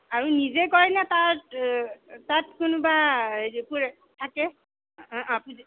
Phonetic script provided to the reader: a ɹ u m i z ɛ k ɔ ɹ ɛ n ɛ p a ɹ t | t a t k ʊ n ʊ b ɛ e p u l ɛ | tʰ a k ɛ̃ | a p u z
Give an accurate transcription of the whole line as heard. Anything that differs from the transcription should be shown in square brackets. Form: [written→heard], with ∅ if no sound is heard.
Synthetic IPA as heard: a ɹ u [m→n] i z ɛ k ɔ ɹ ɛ n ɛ [p→t] a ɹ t | t a t k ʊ n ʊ b [ɛ→a] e p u [l→ɹ] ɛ | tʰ a k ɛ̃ | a p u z